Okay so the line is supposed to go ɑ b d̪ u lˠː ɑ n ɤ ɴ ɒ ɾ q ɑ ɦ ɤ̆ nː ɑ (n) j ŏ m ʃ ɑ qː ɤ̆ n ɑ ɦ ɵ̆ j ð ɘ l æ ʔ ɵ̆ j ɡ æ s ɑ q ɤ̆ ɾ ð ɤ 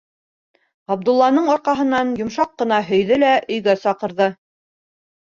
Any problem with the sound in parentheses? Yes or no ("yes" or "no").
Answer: no